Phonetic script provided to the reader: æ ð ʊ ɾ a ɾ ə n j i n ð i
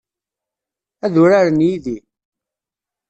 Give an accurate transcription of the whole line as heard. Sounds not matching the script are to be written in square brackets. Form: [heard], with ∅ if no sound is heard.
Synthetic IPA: æ ð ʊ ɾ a ɾ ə n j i [∅] ð i